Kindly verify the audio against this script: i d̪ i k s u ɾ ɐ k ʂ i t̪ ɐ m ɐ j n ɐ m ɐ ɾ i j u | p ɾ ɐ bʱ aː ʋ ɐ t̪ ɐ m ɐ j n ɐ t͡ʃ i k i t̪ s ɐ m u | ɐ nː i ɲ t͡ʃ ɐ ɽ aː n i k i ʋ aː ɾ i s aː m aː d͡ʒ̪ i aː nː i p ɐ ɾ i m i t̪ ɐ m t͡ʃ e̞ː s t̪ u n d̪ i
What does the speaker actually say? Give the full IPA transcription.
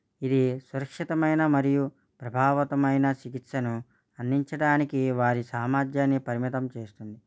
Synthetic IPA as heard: i d̪ i s u ɾ ɐ k ʂ i t̪ ɐ m ɐ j n ɐ m ɐ ɾ i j u | p ɾ ɐ bʱ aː ʋ ɐ t̪ ɐ m ɐ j n ɐ t͡ʃ i k i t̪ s ɐ n u | ɐ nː i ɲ t͡ʃ ɐ ɽ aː n i k i ʋ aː ɾ i s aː m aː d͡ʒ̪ j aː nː i p ɐ ɾ i m i t̪ ɐ m t͡ʃ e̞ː s t̪ u n d̪ i